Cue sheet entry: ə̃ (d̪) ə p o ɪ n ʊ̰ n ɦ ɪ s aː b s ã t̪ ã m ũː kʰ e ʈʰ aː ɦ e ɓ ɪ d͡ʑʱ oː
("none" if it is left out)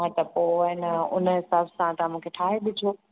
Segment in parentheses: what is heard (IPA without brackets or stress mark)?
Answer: t̪